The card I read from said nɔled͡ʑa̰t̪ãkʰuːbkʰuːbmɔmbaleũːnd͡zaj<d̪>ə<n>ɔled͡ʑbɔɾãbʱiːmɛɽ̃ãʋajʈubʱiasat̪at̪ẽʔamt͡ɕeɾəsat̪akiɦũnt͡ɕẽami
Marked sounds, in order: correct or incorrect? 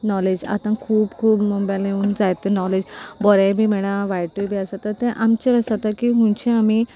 incorrect, correct

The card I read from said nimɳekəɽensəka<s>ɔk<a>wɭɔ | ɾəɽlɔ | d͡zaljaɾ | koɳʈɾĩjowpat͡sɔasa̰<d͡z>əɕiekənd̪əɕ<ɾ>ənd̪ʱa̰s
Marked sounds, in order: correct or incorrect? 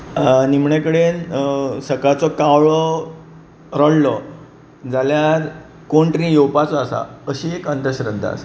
incorrect, correct, incorrect, correct

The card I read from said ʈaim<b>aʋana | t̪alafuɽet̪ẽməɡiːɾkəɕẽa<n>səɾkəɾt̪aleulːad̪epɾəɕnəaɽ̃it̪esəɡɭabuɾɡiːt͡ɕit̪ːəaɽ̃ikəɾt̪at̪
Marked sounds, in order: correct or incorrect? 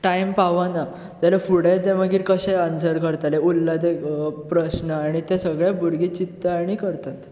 incorrect, correct

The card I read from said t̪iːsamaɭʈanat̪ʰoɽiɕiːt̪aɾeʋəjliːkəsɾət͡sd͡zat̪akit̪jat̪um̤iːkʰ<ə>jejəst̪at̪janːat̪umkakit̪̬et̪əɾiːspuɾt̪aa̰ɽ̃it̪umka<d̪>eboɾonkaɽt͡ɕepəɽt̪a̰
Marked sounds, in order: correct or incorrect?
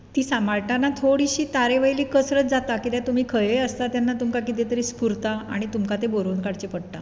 correct, incorrect

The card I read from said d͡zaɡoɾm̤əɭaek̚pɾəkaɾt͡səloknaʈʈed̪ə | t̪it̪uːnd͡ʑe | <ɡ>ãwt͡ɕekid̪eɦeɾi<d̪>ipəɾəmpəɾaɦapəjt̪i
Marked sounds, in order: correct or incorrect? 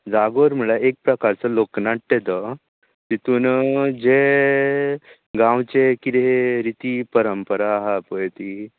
correct, incorrect

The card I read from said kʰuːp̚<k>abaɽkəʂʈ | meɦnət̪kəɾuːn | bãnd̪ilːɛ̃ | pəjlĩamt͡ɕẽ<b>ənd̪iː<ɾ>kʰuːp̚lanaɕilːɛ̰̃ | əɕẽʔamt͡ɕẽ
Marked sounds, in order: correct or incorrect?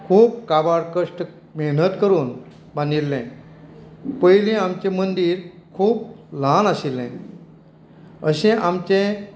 correct, incorrect, correct

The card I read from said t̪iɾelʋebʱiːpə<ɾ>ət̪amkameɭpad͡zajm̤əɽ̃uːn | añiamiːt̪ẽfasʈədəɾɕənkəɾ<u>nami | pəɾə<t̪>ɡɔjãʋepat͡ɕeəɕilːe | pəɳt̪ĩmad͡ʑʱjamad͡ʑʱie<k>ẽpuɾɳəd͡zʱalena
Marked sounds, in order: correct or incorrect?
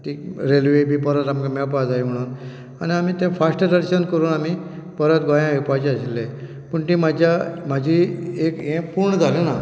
correct, incorrect, correct, correct

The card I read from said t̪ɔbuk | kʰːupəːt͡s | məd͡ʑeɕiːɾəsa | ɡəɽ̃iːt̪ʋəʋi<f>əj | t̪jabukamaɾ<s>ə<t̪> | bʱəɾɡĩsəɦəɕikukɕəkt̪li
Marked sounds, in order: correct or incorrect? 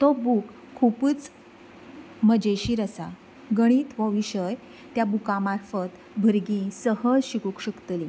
incorrect, incorrect, correct

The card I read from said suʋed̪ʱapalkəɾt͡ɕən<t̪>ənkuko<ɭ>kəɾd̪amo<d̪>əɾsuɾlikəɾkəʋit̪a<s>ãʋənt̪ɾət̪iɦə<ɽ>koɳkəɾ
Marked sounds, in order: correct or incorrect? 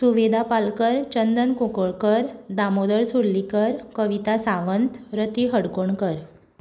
incorrect, correct, correct, correct, correct

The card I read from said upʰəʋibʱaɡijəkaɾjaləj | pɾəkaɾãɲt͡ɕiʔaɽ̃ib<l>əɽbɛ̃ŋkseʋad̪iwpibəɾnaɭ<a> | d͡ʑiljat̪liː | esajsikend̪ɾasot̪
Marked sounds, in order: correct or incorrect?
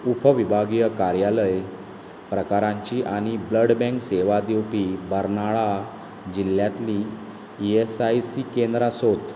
correct, correct

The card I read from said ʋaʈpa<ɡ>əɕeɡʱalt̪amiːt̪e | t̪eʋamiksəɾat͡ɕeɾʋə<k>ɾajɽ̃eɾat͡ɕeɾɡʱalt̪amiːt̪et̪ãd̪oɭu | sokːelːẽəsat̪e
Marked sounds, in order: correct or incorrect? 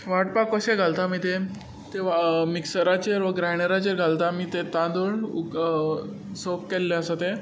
incorrect, incorrect

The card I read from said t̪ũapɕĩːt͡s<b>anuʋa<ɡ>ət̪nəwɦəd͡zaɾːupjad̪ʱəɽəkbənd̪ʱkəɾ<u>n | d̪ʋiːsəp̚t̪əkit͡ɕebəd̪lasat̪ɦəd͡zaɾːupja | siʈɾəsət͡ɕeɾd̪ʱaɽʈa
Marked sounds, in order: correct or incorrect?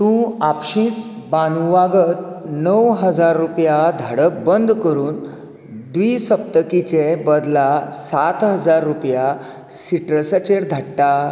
correct, correct, incorrect

